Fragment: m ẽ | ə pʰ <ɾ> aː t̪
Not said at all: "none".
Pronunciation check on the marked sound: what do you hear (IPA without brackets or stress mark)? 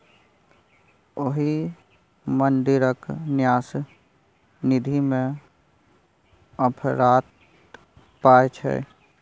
ɾ